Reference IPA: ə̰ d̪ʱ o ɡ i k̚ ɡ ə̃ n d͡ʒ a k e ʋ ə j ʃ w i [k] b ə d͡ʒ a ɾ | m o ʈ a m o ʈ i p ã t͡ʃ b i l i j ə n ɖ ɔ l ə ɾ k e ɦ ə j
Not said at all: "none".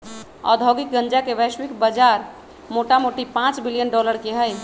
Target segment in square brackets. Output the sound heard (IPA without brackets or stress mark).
k